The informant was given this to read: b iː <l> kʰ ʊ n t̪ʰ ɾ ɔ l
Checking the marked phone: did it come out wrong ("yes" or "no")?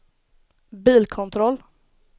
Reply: no